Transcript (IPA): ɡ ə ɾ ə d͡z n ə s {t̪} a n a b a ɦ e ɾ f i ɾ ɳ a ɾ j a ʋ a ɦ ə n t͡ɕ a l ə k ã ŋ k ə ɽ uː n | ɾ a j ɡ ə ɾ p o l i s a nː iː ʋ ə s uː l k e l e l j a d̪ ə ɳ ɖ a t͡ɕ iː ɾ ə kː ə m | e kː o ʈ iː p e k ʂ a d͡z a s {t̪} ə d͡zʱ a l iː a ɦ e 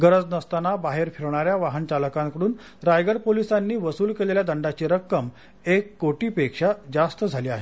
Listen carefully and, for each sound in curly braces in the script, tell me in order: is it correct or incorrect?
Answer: correct, correct

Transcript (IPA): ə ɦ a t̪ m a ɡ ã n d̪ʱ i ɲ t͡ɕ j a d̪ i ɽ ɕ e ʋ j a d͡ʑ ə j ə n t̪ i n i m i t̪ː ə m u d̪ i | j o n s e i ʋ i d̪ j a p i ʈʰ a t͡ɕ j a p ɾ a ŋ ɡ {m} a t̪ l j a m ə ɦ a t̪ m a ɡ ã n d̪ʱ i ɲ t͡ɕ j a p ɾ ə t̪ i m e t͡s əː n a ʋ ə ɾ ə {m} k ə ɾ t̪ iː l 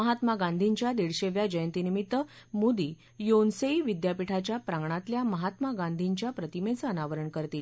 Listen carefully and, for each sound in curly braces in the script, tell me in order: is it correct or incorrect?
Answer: incorrect: ɳ, incorrect: ɳ

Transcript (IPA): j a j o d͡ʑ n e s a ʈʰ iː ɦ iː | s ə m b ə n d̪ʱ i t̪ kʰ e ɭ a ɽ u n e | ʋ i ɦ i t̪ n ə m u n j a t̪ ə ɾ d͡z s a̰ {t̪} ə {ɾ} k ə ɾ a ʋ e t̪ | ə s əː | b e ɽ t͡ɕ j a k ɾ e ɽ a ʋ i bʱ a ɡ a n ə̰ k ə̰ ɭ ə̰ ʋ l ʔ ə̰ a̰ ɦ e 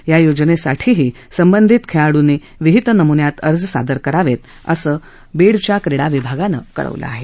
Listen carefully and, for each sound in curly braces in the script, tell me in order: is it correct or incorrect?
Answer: incorrect: d̪, correct

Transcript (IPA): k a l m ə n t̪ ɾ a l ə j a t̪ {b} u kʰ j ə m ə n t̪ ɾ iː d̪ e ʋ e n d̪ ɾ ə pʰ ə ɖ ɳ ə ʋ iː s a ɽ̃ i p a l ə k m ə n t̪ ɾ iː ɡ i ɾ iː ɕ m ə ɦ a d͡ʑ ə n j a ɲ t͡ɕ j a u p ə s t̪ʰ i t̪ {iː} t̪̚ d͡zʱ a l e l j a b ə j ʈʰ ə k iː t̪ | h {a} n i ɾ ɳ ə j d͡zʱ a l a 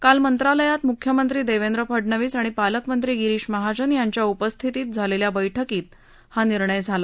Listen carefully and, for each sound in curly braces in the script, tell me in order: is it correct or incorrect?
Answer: incorrect: m, correct, correct

